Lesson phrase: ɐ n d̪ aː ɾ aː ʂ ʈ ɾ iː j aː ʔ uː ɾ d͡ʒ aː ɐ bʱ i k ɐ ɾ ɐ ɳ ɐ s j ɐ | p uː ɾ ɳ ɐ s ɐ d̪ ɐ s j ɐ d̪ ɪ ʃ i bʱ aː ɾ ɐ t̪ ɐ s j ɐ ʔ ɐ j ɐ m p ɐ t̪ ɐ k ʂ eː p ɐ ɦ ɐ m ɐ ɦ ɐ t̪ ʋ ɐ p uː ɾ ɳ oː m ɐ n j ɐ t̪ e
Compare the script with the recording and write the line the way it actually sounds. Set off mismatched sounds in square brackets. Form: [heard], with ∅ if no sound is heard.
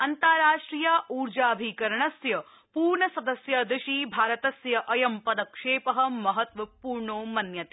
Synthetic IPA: ɐ n [t̪] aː ɾ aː ʂ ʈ ɾ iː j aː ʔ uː ɾ d͡ʒ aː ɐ bʱ i k ɐ ɾ ɐ ɳ ɐ s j ɐ | p uː ɾ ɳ ɐ s ɐ d̪ ɐ s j ɐ d̪ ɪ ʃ i bʱ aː ɾ ɐ t̪ ɐ s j ɐ ʔ ɐ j ɐ m p ɐ [d̪] ɐ k ʂ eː p ɐ ɦ ɐ m ɐ ɦ ɐ t̪ ʋ ɐ p uː ɾ ɳ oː m ɐ n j ɐ t̪ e